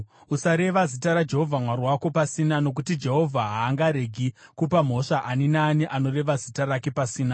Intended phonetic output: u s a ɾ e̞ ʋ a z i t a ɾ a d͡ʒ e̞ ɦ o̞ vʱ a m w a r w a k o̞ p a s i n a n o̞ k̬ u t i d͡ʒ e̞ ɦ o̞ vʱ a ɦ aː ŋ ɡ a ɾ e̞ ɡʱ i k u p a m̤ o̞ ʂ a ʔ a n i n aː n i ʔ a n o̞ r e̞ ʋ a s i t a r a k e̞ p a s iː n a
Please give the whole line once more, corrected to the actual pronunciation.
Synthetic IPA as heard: u s a ɾ e̞ ʋ a z i t a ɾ a d͡ʒ e̞ ɦ o̞ vʱ a m w a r w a k o̞ p a s i n a n o̞ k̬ u t i d͡ʒ e̞ ɦ o̞ vʱ a ɦ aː ŋ ɡ a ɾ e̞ ɡʱ i k u p a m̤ o̞ ʂ a ʔ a n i n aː n i ʔ a n o̞ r e̞ ʋ a z i t a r a k e̞ p a s iː n a